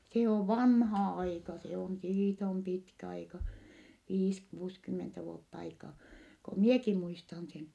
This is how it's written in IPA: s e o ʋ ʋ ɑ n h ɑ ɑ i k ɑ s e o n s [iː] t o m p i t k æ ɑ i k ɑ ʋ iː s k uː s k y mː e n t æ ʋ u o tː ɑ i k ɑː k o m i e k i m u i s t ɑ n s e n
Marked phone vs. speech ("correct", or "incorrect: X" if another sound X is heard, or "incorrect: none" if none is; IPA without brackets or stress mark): correct